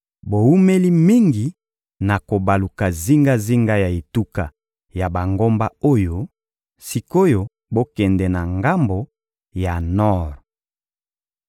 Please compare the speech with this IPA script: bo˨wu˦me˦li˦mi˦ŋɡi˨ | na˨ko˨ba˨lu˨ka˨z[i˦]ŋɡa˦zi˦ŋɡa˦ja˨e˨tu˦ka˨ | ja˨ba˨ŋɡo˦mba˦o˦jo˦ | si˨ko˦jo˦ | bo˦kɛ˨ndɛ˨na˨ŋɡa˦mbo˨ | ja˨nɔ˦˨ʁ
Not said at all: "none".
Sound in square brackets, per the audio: i˦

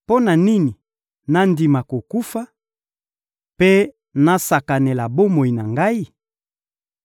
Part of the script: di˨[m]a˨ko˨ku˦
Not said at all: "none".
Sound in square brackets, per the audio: m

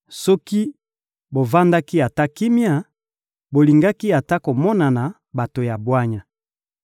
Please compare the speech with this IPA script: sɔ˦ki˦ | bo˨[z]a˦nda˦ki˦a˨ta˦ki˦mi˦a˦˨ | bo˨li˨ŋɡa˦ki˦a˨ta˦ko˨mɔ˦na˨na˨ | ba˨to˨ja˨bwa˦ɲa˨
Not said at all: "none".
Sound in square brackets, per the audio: v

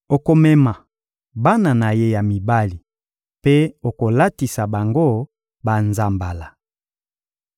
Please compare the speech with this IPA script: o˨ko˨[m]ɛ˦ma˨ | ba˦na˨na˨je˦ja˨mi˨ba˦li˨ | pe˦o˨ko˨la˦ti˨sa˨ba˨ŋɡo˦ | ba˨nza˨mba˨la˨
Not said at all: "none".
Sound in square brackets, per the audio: m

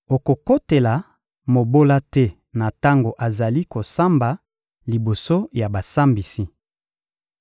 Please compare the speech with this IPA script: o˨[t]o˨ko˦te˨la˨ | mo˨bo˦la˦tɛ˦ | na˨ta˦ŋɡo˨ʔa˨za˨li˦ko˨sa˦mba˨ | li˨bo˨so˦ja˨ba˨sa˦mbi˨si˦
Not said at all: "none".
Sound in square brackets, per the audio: k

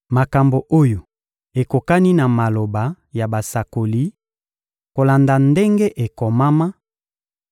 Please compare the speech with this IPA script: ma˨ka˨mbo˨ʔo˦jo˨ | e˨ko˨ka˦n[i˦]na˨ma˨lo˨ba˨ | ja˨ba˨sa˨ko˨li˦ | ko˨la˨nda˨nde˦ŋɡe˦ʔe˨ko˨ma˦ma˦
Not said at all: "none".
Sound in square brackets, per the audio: i˦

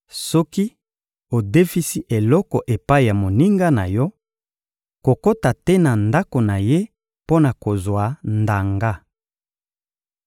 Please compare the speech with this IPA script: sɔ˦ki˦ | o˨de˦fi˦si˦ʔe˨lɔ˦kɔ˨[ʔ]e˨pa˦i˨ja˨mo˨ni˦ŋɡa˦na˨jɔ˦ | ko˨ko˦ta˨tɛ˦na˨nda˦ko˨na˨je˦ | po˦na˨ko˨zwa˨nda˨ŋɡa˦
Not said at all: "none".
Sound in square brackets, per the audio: ʔ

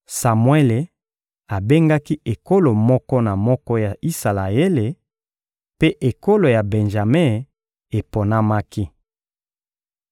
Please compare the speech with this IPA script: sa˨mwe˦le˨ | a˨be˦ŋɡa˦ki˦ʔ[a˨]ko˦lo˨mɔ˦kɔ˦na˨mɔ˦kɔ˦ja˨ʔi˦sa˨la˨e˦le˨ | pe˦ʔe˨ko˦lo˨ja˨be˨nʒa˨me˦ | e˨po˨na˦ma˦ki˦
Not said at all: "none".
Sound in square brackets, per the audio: e˨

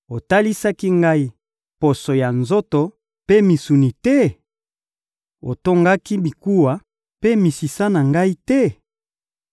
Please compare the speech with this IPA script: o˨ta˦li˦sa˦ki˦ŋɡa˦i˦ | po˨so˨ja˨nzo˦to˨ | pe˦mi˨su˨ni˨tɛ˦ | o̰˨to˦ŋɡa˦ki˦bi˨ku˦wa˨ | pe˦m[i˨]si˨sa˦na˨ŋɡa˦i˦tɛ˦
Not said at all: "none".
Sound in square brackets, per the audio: i˨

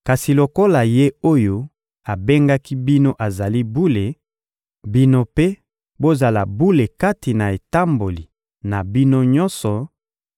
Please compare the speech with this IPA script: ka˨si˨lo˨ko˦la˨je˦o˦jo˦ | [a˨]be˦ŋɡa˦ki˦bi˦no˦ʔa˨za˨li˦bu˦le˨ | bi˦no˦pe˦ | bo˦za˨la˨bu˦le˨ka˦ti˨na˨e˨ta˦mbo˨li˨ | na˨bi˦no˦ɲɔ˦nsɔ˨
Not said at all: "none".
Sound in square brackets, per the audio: a˨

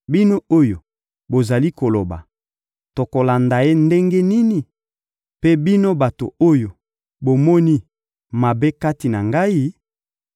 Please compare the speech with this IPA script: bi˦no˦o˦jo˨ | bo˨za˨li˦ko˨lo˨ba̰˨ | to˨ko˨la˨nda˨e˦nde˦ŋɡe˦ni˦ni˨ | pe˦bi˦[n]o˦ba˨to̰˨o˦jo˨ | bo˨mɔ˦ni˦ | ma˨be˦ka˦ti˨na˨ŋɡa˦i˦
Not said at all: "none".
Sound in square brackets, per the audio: n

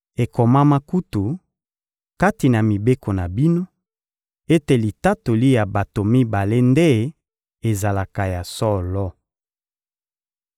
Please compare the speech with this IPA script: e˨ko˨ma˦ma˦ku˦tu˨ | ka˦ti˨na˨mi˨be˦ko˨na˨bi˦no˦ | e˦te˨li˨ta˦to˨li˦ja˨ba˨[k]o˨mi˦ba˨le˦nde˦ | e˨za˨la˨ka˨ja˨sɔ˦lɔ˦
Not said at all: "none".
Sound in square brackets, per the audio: t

